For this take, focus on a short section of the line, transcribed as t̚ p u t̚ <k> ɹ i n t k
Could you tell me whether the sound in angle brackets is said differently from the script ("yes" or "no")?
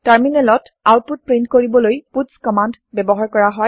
yes